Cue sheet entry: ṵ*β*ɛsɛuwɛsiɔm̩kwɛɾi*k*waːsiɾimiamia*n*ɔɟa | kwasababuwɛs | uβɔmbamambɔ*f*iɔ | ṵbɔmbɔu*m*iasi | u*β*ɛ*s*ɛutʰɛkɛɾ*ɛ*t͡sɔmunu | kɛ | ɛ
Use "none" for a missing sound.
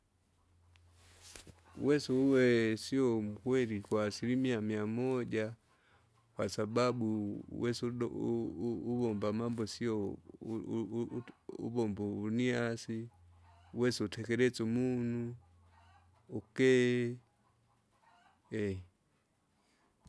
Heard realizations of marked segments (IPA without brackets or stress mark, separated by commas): w, k, m, s, n, w, s, ɛ